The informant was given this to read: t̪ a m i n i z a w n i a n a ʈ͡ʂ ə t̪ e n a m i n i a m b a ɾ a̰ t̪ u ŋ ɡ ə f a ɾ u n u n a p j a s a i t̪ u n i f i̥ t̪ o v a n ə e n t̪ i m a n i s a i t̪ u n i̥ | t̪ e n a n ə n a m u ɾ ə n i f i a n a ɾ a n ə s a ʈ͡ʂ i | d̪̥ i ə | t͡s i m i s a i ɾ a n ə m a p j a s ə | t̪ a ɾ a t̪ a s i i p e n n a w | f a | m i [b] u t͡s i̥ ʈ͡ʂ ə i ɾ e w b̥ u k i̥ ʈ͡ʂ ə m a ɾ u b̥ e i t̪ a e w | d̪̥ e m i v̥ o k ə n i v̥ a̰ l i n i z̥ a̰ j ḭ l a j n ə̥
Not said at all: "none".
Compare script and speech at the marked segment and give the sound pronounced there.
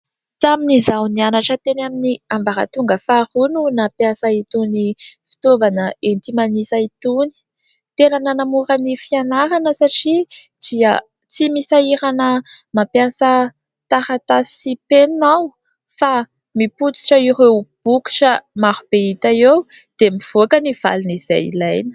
p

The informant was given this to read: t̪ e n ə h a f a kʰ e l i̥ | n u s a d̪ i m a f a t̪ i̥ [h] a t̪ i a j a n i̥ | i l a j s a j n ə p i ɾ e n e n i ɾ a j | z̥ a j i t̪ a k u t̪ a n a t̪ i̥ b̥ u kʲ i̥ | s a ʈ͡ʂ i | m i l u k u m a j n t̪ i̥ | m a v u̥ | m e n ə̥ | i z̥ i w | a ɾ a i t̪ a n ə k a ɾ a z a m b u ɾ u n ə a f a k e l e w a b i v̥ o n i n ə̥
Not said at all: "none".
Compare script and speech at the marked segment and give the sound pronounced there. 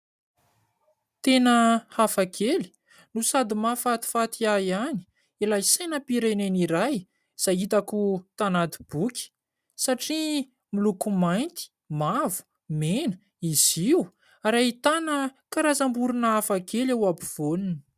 f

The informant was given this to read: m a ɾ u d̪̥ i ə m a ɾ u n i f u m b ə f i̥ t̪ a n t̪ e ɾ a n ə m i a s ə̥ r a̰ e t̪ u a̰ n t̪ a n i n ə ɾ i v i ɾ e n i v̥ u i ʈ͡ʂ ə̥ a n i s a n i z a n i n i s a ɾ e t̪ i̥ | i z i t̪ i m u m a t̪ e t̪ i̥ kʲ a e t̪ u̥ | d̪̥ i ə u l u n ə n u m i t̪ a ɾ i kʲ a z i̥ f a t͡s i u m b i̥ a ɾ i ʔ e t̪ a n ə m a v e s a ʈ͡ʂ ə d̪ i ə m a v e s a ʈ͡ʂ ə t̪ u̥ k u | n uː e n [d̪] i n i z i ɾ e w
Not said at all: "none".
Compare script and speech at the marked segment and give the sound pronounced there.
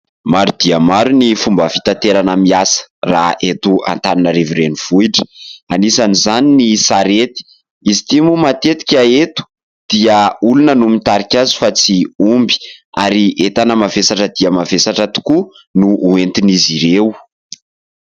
t̪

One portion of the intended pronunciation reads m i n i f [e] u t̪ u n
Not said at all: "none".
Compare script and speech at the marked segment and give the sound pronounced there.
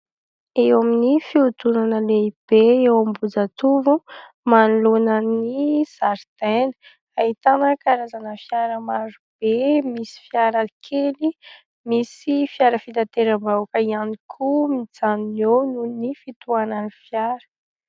i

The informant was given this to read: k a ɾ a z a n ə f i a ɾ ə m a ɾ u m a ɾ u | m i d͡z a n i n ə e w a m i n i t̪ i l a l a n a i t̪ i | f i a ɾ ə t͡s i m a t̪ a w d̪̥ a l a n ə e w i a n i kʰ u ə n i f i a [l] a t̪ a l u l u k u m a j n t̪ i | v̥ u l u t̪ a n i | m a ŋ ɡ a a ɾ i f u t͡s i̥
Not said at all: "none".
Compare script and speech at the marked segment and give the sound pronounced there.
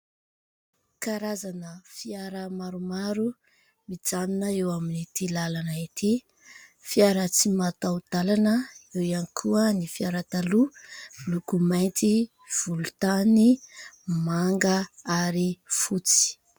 ɾ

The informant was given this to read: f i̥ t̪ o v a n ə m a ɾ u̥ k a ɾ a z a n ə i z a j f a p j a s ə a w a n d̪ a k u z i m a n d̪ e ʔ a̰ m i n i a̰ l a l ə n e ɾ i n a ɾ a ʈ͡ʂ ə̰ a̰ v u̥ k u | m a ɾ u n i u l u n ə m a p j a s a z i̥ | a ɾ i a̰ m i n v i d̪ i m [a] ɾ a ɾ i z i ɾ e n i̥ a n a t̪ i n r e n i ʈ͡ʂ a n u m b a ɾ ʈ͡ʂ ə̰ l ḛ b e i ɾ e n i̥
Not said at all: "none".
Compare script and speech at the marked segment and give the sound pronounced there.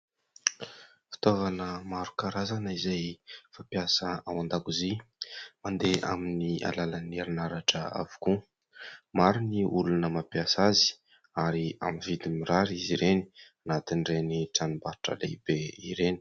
i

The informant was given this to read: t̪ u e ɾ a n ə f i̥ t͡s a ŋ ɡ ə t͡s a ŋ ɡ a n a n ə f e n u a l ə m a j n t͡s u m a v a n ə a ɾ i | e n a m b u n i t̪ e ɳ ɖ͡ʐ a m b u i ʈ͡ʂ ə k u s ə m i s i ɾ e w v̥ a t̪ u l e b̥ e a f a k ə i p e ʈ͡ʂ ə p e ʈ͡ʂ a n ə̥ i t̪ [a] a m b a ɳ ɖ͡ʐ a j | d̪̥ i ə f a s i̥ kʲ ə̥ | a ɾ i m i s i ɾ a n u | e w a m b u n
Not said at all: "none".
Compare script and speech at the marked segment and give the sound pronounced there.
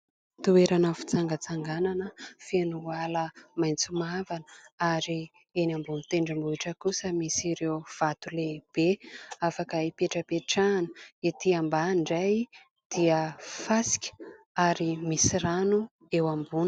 i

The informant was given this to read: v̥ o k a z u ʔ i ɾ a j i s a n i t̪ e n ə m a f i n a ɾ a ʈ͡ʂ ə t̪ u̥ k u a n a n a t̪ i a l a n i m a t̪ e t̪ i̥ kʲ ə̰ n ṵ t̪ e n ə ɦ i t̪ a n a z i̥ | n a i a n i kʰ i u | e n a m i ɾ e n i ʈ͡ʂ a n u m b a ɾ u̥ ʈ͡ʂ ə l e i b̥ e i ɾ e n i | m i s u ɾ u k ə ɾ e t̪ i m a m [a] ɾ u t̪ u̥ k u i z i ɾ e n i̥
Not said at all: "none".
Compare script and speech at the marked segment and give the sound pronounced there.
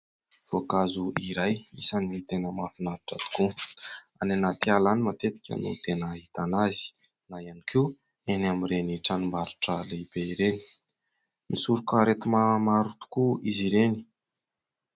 a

